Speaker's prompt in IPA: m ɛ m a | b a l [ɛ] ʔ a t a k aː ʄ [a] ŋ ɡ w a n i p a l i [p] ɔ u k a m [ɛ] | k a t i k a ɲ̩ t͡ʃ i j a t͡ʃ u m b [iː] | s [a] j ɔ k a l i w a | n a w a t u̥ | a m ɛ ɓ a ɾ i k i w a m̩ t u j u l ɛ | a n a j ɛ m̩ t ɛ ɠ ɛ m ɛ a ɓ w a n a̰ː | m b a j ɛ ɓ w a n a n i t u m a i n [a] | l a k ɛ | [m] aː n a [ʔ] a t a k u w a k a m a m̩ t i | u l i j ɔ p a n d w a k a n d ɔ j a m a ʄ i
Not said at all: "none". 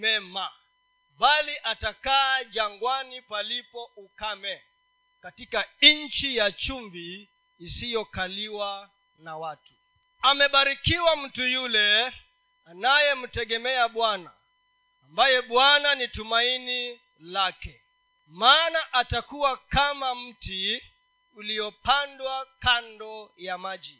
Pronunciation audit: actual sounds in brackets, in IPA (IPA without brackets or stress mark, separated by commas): i, a, p, ɛ, iː, i, i, m, ʔ